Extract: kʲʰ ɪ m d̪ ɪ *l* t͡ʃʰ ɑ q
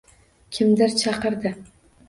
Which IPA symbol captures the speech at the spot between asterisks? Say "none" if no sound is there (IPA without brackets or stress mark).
ɾ